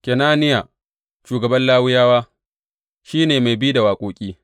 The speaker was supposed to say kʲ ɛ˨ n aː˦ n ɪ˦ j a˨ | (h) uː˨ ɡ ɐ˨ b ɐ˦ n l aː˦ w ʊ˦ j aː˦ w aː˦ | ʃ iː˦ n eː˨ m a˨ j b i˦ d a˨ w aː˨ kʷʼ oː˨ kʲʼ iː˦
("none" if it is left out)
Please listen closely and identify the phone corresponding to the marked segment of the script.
ʃ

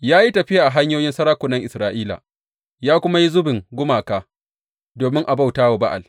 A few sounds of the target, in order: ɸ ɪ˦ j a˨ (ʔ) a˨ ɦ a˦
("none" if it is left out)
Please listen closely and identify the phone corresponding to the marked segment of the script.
ʔ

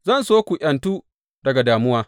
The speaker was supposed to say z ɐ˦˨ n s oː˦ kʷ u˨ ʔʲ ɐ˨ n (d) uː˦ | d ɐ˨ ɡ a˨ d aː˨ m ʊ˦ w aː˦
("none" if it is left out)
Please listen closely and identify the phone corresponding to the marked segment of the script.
t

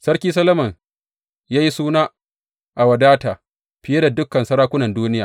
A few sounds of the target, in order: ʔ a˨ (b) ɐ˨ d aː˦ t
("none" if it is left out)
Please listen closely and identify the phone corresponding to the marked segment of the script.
w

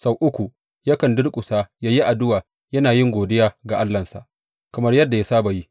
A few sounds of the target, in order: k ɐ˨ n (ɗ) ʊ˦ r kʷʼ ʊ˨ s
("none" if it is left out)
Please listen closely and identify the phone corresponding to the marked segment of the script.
d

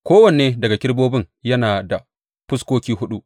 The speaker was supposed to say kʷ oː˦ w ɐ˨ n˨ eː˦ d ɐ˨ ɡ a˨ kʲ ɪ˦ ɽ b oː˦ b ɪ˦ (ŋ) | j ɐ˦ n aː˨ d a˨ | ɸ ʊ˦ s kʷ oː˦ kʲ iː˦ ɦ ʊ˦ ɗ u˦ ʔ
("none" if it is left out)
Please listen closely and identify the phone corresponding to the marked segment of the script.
ŋ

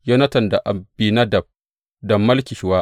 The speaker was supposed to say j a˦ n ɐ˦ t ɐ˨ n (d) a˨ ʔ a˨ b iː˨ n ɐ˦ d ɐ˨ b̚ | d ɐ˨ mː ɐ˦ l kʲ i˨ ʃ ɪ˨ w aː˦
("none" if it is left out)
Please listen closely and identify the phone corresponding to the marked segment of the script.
d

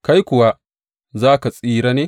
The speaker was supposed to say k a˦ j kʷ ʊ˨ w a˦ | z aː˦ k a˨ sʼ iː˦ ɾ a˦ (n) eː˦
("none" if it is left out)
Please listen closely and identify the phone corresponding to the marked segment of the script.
n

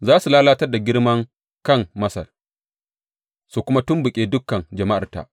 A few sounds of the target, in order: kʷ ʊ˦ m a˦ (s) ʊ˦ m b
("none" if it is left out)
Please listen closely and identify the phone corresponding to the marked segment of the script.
t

